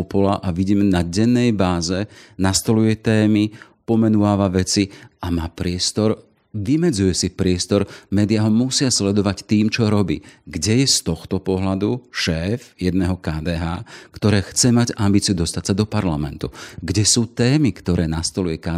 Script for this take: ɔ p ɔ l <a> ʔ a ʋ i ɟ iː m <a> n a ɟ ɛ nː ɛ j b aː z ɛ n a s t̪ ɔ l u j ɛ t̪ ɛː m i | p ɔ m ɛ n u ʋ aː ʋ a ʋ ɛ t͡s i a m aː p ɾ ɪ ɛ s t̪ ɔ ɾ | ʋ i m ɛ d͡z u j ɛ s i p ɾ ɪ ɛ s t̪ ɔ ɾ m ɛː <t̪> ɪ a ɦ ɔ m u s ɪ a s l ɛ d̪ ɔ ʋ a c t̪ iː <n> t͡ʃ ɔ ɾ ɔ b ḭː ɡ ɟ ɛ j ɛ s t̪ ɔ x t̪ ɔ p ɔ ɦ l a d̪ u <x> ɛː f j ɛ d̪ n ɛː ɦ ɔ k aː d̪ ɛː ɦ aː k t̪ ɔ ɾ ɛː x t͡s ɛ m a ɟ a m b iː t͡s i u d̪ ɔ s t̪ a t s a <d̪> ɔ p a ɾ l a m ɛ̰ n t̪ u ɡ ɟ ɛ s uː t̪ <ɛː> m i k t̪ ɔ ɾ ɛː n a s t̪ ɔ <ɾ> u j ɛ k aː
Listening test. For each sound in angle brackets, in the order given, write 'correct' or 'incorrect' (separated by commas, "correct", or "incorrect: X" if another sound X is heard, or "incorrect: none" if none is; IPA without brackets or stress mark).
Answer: correct, incorrect: ɛ, incorrect: d̪, incorrect: m, incorrect: ʃ, correct, correct, incorrect: l